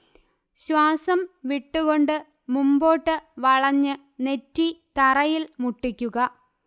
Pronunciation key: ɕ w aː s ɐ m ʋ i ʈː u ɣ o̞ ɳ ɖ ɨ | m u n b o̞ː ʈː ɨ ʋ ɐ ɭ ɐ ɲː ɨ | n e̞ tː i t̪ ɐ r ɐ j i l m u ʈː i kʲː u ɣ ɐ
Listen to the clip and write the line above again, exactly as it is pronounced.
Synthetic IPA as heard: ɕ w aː s ɐ m ʋ i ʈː u ɣ o̞ ɳ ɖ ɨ | m u m b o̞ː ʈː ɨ ʋ ɐ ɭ ɐ ɲː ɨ | n e̞ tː i t̪ ɐ r ɐ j i l m u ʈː i kʲː u ɣ ɐ